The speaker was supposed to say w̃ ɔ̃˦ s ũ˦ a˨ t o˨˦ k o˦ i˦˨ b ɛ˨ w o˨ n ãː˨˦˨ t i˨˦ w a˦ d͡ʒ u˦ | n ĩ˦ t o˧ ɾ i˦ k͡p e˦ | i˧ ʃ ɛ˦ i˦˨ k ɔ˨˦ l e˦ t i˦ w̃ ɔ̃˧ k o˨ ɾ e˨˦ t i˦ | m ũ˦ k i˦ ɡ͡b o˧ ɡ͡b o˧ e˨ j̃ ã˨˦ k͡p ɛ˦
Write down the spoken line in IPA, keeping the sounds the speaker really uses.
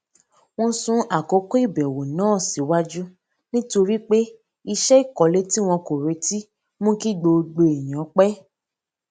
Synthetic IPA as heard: w̃ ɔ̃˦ s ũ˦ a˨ k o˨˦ k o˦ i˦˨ b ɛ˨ w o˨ n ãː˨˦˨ s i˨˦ w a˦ d͡ʒ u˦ | n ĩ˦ t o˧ ɾ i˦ k͡p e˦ | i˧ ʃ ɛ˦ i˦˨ k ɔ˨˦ l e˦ t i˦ w̃ ɔ̃˧ k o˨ ɾ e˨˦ t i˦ | m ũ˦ k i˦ ɡ͡b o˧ ɡ͡b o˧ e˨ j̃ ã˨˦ k͡p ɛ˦